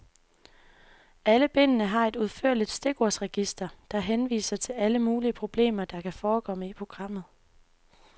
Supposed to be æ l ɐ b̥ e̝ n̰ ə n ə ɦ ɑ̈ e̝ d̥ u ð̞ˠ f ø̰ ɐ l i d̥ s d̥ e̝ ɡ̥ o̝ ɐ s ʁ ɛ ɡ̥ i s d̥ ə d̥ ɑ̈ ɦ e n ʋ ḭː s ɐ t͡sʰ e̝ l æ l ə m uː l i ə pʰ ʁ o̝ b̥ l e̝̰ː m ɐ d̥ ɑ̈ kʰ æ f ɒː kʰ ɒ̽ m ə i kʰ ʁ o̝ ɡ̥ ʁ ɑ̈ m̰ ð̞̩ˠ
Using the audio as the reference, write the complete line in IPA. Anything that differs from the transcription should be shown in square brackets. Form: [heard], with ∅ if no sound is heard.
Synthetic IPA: æ l [ə] b̥ e̝ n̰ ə n ə ɦ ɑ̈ e̝ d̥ u ð̞ˠ f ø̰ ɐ l i d̥ s d̥ e̝ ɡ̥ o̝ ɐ s ʁ ɛ ɡ̥ i s d̥ [ɐ] d̥ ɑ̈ ɦ e n ʋ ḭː s ɐ t͡sʰ e̝ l æ l ə m uː l i ə pʰ ʁ o̝ b̥ l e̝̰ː m ɐ d̥ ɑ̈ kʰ æ f ɒː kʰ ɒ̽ m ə i [pʰ] ʁ o̝ ɡ̥ ʁ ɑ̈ m̰ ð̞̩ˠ